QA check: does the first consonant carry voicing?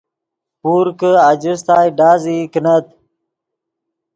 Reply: no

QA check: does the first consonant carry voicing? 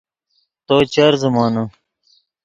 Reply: no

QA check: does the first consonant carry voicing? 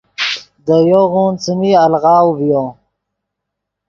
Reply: yes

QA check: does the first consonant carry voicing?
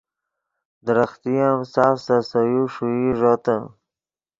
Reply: yes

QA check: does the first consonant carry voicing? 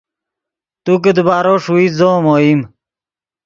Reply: no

